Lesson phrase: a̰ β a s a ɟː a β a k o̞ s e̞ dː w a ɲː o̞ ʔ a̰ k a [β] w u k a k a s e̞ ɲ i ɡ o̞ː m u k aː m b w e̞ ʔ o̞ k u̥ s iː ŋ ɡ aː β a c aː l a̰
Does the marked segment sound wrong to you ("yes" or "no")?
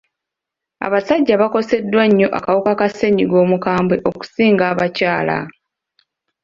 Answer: yes